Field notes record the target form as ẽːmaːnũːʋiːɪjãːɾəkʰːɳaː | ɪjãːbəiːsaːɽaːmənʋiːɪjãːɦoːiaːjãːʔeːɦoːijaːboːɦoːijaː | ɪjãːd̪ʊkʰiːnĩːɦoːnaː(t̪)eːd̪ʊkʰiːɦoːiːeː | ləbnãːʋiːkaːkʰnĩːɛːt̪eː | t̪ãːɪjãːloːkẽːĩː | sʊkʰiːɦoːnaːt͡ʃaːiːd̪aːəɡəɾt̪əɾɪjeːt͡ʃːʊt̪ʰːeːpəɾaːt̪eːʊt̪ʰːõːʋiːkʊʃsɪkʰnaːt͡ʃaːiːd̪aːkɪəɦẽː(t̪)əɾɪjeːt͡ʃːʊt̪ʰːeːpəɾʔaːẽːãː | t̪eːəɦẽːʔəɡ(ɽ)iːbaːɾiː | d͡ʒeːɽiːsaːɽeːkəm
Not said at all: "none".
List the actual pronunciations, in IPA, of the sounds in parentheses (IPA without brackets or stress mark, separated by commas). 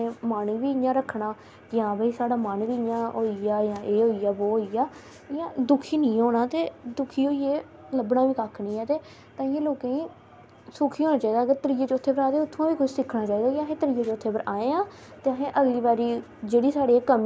t̪, t̪, l